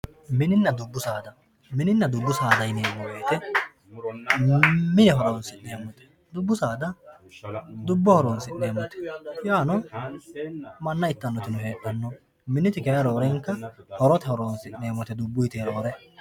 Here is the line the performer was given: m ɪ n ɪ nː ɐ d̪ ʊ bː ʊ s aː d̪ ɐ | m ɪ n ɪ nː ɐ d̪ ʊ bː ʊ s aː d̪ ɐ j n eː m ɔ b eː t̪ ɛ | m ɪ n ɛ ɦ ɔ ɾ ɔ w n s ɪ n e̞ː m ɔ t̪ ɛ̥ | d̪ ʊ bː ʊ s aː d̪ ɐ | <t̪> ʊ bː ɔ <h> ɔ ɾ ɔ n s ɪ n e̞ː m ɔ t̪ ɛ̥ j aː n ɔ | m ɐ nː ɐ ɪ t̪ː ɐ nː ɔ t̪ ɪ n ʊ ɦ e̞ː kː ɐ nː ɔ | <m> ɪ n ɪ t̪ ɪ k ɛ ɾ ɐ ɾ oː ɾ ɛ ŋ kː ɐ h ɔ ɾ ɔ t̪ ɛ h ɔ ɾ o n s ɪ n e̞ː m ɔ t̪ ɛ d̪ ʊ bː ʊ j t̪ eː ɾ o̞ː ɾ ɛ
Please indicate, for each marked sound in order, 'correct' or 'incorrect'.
incorrect: d̪, correct, correct

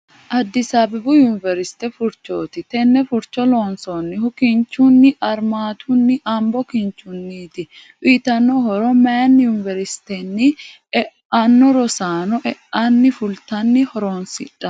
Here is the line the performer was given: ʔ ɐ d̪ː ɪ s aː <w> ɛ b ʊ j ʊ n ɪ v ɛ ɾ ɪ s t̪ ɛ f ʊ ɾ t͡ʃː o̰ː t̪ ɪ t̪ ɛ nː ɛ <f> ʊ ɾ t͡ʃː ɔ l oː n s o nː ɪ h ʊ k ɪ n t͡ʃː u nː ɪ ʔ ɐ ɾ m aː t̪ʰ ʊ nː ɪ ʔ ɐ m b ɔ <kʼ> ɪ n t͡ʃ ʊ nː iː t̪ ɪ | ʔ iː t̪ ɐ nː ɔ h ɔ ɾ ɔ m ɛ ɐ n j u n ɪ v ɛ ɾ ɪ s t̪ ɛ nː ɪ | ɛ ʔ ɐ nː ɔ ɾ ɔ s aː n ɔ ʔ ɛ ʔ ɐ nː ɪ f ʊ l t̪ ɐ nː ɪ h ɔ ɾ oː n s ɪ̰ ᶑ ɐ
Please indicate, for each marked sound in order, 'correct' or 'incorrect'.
incorrect: b, correct, incorrect: k

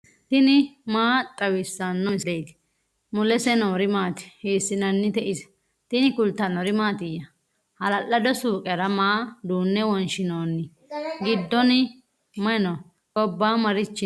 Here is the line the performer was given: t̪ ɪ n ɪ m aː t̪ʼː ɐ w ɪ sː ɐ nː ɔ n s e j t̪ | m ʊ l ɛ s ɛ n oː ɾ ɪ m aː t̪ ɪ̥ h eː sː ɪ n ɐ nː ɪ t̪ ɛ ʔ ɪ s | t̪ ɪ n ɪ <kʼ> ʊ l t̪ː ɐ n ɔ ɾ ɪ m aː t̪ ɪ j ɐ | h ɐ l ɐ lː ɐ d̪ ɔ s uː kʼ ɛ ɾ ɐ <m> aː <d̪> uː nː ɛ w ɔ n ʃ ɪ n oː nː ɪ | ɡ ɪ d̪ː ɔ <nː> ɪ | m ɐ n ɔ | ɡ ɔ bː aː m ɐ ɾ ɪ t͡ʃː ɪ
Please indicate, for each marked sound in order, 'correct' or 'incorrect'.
incorrect: k, correct, correct, incorrect: n

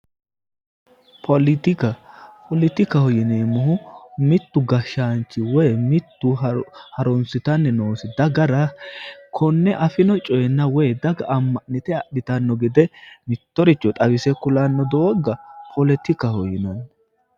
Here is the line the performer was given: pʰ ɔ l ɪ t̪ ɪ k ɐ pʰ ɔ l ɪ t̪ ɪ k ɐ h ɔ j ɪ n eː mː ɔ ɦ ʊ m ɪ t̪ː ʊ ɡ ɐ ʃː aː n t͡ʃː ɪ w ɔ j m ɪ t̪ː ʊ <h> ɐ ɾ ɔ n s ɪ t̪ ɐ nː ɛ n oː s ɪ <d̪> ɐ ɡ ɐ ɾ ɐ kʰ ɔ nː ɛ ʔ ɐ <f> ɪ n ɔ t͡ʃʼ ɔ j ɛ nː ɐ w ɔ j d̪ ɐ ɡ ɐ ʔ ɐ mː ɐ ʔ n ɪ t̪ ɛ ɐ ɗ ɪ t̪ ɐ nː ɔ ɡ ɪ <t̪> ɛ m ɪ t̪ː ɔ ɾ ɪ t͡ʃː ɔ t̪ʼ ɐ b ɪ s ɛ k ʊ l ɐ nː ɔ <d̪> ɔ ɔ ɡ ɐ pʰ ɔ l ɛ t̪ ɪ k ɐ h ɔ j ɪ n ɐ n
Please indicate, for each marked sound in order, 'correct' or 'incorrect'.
correct, correct, correct, incorrect: d̪, correct

